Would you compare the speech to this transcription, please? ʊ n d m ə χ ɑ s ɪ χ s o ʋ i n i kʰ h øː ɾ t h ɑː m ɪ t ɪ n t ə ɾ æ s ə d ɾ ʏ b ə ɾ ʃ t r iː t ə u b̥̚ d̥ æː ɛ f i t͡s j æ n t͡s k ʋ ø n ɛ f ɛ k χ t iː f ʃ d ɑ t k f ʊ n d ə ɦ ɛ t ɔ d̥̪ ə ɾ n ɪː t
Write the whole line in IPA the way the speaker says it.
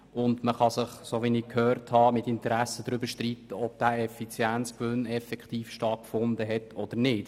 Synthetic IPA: ʊ n d m ə χ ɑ s ɪ χ s o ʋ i n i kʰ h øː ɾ t h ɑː m ɪ t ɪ n t ə ɾ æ s ə d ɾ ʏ b ə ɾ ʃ t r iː t ə ɔ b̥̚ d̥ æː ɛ f i t͡s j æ n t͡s k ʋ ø n ɛ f ɛ k χ t iː f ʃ t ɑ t k f ʊ n d ə ɦ ɛ t ɔ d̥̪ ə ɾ n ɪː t

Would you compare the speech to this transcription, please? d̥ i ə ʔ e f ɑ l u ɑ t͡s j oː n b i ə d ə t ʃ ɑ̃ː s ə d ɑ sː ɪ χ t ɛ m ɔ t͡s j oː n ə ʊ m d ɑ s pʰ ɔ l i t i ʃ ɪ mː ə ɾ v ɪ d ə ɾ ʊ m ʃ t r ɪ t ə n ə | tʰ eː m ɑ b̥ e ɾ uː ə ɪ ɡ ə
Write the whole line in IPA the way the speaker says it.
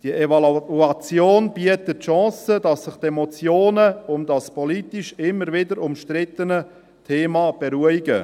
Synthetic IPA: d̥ i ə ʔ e v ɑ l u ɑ t͡s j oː n b i ə t ə t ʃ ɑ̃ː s ə d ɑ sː ɪ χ t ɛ m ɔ t͡s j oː n ə ʊ m d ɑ s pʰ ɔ l i t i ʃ ɪ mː ə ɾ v ɪ d ə ɾ ʊ m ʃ t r ɪ t ə n ə | tʰ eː m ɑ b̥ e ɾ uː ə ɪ ɡ ə

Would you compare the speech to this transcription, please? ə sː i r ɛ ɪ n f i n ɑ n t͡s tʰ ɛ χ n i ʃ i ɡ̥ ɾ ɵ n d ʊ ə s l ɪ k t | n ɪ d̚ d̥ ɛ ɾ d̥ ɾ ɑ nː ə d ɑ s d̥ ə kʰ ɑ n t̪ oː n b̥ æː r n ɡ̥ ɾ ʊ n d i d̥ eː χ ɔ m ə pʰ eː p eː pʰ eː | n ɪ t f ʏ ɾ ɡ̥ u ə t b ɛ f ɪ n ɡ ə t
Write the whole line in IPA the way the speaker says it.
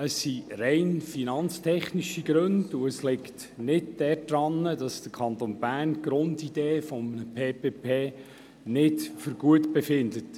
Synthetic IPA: ə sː i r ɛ ɪ n f i n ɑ n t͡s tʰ ɛ χ n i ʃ i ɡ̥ ɾ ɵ n d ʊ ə s l ɪ k t | n ɪ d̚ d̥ ɛ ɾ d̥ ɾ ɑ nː ə d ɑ s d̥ ə kʰ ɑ n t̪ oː n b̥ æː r n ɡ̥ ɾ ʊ n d i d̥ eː f ɔ m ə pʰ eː p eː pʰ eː | n ɪ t f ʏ ɾ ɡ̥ u ə t b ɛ f ɪ n d ə t

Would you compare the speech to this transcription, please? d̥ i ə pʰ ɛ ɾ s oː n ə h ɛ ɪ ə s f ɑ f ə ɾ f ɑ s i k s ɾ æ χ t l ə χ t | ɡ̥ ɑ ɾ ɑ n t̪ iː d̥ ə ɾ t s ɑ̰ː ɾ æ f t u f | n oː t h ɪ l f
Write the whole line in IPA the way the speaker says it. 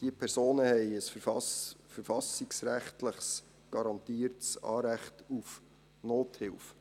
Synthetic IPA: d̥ i ə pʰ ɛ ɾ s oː n ə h ɛ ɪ ə s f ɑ f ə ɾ f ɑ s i k s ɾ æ χ t l ə χ s | ɡ̥ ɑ ɾ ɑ n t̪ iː ə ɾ t s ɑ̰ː ɾ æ χ t u f | n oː t h ɪ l f

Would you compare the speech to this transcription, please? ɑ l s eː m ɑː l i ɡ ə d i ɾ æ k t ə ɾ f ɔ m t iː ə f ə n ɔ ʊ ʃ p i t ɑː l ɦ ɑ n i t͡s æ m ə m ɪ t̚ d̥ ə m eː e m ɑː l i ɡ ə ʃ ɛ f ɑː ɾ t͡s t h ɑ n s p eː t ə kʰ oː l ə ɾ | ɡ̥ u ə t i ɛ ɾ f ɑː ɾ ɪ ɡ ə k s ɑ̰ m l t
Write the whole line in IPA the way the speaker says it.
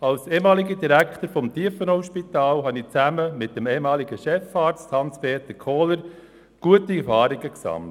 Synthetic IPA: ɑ l s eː m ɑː l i ɡ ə d i ɾ æ k t ə ɾ f ɔ m t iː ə f ə n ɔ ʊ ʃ p i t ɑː l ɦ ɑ n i t͡s æ m ə m ɪ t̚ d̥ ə m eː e m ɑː l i ɡ ə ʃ ɛ f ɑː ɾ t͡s t h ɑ n s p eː t ə kʰ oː l ə ɾ | ɡ̥ u ə t i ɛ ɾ f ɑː ɾ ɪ ɡ ə k s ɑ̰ m l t

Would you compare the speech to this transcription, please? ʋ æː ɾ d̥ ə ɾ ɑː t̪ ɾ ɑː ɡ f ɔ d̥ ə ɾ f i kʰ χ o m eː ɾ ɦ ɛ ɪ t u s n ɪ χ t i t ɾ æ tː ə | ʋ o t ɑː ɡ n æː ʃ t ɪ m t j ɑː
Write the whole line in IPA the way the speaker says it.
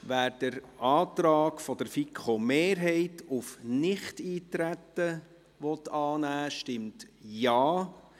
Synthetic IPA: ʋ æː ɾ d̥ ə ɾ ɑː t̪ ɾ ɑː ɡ f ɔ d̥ ə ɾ f i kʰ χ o m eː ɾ ɦ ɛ ɪ t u f n ɪ χ t iː t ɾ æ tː ə | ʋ ɔ t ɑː n æː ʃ t ɪ m t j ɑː

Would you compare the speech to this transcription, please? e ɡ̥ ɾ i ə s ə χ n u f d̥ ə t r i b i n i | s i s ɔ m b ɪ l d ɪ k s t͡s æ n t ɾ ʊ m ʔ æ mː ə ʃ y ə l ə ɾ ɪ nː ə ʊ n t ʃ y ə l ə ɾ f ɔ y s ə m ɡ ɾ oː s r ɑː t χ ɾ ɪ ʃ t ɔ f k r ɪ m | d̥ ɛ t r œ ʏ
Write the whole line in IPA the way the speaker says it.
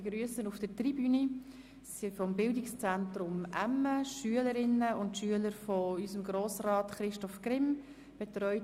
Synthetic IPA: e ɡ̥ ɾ y ə s ə n u f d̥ ə t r i b y n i | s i f ɔ m b ɪ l d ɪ k s t͡s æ n t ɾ ʊ m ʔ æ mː ə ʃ y ə l ə ɾ ɪ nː ə ʊ n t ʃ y ə l ə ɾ f ɔ y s ə m ɡ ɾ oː s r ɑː t χ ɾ ɪ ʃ t ɔ f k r ɪ m | b̥ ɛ t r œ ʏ

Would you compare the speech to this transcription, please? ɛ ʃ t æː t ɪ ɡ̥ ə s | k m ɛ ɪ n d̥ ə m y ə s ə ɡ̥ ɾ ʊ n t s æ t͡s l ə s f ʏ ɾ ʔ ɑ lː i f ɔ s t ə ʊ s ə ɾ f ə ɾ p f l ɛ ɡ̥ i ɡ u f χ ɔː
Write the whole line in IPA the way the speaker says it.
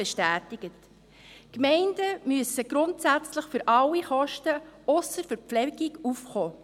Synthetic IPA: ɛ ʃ t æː t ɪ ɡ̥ ə t | k m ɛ ɪ n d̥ ə m y ə s ə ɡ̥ ɾ ʊ n t s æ t͡s l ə χ f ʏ ɾ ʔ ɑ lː i χ ɔ ʃ t ə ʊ s ə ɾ f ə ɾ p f l ɛ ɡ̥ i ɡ u f χ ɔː

